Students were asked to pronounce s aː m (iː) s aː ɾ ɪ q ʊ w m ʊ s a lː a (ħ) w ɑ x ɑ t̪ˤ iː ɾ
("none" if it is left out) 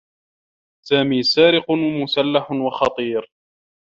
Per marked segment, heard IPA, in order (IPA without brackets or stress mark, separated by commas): iː, ħ